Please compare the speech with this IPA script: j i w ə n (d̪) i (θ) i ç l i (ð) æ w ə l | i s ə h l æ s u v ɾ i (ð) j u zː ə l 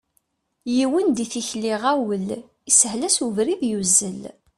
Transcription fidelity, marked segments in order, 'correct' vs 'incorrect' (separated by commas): correct, correct, incorrect, correct